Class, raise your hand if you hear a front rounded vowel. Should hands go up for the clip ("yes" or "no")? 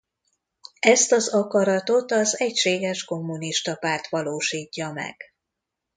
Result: no